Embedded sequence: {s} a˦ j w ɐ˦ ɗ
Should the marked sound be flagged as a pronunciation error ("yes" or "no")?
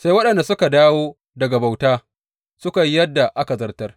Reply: no